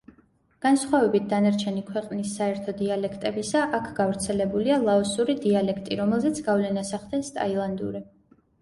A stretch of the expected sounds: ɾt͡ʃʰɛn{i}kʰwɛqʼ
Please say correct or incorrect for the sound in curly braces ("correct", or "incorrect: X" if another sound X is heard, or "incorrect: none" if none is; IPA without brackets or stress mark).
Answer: correct